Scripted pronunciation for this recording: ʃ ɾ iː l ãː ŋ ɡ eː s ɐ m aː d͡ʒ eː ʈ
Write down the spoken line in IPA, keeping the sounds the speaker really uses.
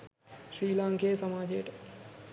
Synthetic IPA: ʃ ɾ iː l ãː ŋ k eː s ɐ m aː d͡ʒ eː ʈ